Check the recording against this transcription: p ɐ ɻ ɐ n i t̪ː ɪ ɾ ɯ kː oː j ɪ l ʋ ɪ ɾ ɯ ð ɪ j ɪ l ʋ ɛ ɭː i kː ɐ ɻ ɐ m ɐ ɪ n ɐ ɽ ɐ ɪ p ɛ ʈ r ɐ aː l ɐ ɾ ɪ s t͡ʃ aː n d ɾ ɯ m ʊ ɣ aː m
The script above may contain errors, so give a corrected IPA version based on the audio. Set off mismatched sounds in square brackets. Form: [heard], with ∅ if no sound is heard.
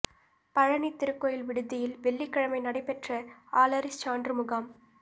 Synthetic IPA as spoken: p ɐ ɻ ɐ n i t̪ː ɪ ɾ ɯ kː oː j ɪ l ʋ ɪ [ɽ] ɯ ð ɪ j ɪ l ʋ ɛ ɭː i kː ɐ ɻ ɐ m ɐ ɪ n ɐ ɽ ɐ ɪ p ɛ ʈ r ɐ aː l ɐ ɾ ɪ s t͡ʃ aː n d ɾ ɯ m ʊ ɣ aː m